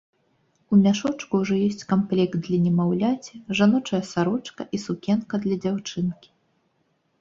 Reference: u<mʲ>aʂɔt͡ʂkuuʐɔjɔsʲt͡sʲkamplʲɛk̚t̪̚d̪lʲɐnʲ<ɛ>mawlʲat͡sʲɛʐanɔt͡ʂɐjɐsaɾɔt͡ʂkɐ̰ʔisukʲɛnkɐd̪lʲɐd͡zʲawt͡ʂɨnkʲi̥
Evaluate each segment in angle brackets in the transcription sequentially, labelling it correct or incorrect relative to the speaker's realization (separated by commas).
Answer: correct, correct